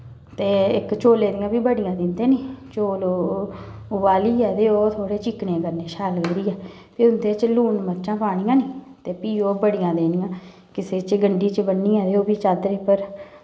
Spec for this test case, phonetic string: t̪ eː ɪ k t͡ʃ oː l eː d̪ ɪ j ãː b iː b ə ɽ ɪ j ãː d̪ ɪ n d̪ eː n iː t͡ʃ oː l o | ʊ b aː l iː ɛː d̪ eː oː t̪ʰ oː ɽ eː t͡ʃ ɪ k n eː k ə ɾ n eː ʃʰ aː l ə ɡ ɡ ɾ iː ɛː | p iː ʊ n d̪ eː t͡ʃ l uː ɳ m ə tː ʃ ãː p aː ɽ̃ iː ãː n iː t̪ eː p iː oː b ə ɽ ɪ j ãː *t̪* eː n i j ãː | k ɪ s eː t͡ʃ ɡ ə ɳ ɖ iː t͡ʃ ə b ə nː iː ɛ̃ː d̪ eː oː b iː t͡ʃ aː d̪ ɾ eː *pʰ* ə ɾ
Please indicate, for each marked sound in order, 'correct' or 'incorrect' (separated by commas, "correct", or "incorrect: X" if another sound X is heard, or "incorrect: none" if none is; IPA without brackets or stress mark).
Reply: incorrect: d̪, incorrect: p